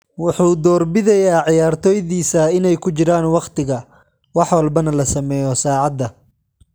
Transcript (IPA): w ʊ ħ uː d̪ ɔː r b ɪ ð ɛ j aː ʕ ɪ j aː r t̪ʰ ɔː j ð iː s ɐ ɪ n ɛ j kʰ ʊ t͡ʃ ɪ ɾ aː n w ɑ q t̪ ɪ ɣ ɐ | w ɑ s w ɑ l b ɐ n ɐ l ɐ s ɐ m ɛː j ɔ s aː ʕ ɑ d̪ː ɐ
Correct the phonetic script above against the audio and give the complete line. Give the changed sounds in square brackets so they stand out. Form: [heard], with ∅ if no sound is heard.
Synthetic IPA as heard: w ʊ ħ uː d̪ ɔː r b ɪ ð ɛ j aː ʕ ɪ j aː r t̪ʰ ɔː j ð iː s ɐ ɪ n ɛ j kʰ ʊ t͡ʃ ɪ ɾ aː n w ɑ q t̪ ɪ ɣ ɐ | w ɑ [ħ] w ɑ l b ɐ n ɐ l ɐ s ɐ m ɛː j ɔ s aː ʕ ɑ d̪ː ɐ